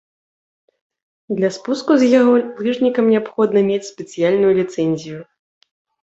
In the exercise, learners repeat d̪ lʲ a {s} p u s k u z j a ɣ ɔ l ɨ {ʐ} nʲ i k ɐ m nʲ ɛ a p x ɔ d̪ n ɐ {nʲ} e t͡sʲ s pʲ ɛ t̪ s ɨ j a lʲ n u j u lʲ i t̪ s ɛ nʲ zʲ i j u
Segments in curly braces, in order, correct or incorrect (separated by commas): correct, correct, incorrect